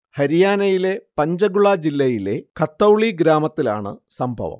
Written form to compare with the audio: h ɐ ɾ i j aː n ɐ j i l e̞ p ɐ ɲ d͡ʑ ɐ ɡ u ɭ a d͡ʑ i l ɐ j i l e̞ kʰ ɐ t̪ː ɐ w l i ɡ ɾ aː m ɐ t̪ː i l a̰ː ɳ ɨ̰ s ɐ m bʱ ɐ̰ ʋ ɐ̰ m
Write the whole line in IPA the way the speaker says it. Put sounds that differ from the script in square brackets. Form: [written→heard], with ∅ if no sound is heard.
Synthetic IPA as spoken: h ɐ ɾ i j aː n ɐ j i l e̞ p ɐ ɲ d͡ʑ ɐ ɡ u ɭ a d͡ʑ i [l→lː] ɐ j i l e̞ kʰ ɐ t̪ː ɐ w [l→ɭ] i ɡ ɾ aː m ɐ t̪ː i l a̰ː ɳ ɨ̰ s ɐ m bʱ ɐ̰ ʋ ɐ̰ m